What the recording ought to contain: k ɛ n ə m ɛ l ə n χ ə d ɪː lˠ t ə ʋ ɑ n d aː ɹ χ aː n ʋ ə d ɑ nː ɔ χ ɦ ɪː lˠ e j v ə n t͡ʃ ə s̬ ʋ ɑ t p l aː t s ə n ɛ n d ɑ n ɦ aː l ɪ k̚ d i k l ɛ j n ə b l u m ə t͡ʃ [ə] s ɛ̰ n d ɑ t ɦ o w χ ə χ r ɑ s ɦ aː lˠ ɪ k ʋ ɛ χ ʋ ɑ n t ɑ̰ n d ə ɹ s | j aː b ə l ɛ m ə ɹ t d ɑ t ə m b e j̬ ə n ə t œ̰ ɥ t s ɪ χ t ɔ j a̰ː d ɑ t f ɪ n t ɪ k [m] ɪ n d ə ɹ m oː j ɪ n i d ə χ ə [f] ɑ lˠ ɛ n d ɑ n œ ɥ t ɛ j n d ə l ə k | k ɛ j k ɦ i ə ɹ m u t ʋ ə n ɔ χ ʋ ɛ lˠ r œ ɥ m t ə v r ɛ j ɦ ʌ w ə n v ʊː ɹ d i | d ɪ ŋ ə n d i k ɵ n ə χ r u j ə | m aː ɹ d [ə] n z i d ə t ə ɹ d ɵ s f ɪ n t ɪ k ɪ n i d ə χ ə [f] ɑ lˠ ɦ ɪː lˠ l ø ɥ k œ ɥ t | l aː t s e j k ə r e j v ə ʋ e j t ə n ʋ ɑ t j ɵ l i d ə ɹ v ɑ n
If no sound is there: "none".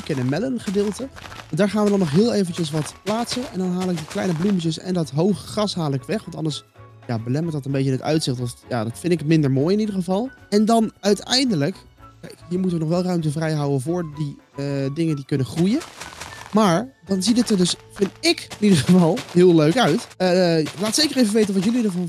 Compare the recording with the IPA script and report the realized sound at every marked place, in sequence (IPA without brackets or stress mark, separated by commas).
ə, m, v, ɑ, v